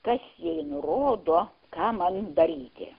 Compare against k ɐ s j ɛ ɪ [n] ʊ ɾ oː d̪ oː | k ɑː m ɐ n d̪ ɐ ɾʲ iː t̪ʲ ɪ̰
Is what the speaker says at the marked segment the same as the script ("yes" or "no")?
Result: yes